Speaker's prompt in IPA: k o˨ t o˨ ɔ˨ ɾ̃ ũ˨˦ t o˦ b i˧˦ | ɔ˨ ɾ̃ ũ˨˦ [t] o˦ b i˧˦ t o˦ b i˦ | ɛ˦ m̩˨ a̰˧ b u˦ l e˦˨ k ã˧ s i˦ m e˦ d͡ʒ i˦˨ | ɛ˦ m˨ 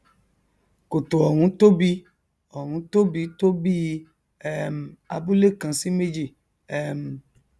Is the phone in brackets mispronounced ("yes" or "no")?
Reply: no